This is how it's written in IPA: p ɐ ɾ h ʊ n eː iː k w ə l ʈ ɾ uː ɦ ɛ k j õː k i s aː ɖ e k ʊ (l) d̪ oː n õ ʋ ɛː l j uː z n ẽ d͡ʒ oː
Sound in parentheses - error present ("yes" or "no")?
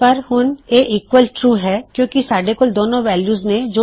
no